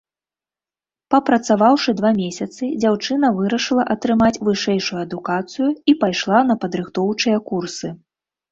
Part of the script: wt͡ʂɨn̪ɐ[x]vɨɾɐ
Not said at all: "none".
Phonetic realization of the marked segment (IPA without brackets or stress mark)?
none